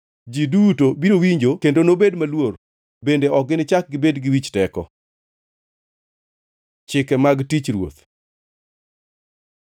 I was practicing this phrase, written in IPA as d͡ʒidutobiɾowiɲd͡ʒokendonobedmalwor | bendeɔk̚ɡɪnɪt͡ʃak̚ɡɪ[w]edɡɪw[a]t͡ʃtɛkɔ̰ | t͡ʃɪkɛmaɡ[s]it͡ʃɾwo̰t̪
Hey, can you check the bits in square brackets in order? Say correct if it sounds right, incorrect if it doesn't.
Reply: incorrect, incorrect, incorrect

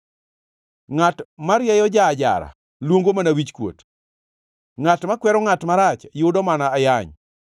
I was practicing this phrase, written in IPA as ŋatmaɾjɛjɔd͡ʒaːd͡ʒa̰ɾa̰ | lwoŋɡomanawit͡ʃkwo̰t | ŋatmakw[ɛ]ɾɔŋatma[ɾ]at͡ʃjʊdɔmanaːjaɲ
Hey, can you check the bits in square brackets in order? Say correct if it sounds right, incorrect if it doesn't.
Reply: correct, correct

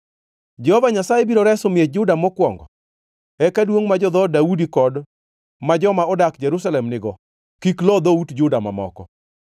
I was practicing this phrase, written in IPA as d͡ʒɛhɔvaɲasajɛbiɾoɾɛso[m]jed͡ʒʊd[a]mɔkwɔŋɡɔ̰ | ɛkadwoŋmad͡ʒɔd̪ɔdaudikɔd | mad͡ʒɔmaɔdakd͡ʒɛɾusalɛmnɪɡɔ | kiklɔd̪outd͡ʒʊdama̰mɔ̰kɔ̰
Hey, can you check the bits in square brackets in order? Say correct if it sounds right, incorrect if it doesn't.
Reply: correct, correct

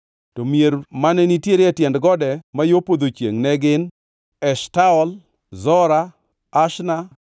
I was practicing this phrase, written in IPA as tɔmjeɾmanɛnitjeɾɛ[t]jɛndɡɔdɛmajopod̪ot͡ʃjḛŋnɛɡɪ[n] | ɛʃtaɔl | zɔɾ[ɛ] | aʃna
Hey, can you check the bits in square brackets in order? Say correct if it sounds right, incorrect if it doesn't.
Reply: correct, correct, incorrect

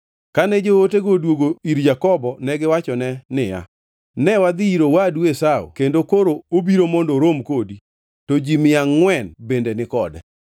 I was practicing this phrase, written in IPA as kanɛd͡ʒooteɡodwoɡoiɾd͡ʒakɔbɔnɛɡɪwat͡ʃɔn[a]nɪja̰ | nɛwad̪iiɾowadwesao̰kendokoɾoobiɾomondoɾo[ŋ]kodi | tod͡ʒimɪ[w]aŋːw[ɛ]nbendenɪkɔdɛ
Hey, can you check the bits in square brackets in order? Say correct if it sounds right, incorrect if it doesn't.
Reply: incorrect, incorrect, incorrect, correct

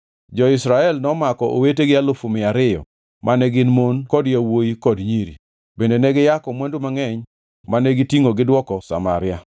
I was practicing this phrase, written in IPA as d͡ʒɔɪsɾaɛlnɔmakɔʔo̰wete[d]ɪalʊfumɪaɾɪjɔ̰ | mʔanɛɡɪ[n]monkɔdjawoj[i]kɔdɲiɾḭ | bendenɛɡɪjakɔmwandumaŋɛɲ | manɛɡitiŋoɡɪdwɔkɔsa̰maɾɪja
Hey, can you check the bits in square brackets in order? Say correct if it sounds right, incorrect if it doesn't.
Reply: incorrect, correct, correct

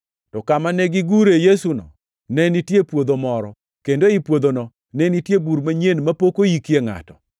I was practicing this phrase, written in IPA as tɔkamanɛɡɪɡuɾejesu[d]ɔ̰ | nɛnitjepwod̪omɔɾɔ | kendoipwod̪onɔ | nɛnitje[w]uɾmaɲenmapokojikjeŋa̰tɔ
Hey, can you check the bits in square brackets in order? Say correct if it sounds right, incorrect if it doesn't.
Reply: incorrect, incorrect

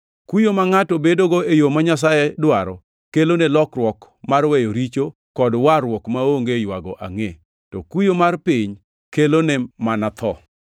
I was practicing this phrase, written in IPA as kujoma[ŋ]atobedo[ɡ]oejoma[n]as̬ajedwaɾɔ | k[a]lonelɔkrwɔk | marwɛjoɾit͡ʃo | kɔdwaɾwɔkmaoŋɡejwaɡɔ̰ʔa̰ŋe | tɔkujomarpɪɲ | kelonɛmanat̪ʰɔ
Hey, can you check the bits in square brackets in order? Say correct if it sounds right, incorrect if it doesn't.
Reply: correct, correct, incorrect, incorrect

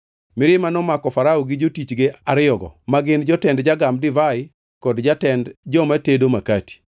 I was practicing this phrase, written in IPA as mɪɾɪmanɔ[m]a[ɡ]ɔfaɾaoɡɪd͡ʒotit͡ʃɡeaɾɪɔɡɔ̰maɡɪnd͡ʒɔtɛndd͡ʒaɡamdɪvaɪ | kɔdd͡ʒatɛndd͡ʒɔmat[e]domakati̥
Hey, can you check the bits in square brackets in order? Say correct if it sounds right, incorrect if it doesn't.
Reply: correct, incorrect, correct

